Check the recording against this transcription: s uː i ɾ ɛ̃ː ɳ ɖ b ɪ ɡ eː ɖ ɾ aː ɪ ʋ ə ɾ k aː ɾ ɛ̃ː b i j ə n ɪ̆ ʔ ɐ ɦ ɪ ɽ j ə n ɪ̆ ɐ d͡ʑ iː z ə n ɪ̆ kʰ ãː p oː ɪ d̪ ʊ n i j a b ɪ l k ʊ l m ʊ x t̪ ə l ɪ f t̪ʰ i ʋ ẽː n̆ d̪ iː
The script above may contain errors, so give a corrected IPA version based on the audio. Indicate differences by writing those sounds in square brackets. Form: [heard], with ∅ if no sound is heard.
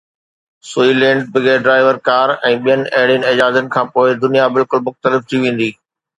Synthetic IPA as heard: s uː i [l] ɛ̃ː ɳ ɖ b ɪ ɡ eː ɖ ɾ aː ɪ ʋ ə ɾ k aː ɾ ɛ̃ː [ɓ] i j ə n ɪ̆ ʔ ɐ ɦ ɪ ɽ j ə n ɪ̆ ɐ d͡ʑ [aː] z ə n ɪ̆ kʰ ãː p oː ɪ d̪ ʊ n i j a b ɪ l k ʊ l m ʊ x t̪ ə l ɪ f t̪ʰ i ʋ ẽː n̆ d̪ iː